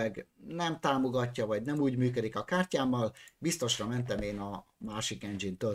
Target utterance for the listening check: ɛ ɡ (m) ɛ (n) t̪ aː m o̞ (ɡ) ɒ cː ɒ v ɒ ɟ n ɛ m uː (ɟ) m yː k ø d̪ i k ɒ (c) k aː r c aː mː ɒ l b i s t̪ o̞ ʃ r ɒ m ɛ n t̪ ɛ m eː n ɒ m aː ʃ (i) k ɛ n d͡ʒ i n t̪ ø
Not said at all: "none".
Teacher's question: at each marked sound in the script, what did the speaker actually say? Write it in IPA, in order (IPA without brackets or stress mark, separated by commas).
n, m, ɡ, ɟ, none, i